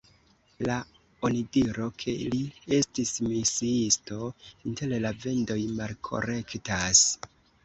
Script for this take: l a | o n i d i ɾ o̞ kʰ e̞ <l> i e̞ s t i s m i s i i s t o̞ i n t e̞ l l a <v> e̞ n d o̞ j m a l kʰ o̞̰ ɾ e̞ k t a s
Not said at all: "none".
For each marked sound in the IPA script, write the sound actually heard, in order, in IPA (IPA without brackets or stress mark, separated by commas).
l, v